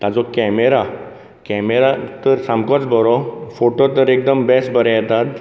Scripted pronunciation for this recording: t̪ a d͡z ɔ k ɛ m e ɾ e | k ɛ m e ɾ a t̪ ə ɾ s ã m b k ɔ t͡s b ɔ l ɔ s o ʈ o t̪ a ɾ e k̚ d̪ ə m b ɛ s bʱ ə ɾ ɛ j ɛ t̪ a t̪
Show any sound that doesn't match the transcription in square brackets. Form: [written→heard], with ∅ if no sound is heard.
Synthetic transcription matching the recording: t̪ a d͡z ɔ k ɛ m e ɾ [e→a] | k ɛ m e ɾ a t̪ ə ɾ s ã m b k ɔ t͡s b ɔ [l→ɾ] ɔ [s→f] o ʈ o t̪ [a→ə] ɾ e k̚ d̪ ə m b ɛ s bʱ ə ɾ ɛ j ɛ t̪ a t̪